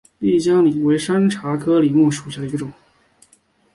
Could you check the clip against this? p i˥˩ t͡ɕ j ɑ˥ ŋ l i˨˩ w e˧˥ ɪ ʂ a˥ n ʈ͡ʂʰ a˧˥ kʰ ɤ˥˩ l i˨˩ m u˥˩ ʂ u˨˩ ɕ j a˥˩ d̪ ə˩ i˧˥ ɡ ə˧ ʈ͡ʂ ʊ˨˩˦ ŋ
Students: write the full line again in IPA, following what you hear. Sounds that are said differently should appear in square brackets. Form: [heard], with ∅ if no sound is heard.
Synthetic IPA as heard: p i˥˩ t͡ɕ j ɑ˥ ŋ l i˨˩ w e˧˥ ɪ ʂ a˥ n ʈ͡ʂʰ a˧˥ kʰ [ɤ˥] l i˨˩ m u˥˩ ʂ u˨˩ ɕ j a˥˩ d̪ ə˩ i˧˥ ɡ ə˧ ʈ͡ʂ ʊ˨˩˦ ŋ